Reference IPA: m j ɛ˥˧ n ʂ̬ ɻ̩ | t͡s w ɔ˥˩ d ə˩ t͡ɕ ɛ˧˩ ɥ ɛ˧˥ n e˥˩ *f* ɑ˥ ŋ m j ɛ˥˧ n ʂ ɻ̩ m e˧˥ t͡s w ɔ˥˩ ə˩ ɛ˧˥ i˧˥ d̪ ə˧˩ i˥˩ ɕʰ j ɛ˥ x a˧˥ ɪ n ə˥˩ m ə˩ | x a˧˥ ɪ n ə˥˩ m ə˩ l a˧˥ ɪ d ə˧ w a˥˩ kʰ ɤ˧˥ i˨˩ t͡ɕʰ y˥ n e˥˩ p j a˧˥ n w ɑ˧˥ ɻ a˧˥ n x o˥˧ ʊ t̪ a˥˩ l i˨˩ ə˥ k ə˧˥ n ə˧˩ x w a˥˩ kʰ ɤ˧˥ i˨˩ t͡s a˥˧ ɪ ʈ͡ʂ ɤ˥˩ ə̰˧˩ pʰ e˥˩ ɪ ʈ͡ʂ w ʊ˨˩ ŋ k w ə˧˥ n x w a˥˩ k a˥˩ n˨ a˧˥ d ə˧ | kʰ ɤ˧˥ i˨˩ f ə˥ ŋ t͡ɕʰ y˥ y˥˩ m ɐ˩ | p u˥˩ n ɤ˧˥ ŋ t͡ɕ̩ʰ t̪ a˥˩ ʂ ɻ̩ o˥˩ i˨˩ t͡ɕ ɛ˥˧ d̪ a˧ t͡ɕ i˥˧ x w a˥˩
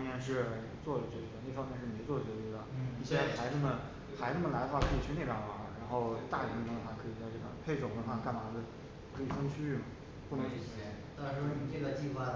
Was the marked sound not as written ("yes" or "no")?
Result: no